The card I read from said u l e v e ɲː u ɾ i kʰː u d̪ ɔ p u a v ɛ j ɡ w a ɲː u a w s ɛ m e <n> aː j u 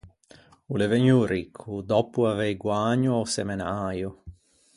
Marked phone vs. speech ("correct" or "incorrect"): correct